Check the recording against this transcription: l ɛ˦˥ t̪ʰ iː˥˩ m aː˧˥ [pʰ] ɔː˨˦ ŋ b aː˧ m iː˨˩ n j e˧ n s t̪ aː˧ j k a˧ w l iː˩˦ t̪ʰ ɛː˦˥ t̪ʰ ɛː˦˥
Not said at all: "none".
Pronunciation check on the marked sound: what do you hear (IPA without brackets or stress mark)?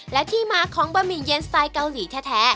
kʰ